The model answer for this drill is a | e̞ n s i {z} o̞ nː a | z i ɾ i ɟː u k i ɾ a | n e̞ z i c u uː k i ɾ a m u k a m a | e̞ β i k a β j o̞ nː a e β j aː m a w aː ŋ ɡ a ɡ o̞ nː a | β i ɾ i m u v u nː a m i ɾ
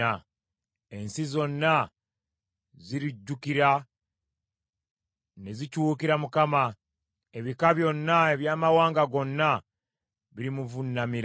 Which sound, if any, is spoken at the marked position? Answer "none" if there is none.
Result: z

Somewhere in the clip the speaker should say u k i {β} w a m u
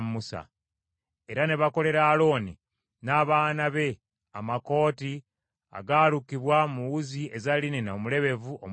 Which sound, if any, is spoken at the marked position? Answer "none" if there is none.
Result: β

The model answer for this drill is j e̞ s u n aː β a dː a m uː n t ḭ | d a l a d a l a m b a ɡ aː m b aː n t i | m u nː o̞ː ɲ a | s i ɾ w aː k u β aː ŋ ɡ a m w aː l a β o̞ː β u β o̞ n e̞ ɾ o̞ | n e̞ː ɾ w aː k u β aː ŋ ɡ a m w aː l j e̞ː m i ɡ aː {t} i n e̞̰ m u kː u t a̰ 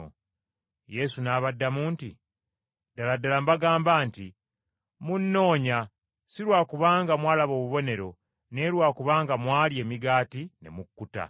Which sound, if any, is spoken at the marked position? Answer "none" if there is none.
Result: t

